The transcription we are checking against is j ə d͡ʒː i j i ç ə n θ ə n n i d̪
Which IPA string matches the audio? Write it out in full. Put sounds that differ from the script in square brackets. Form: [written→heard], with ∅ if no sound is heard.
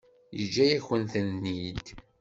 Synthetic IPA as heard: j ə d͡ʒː [i→æ] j [i→æ] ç ə n θ ə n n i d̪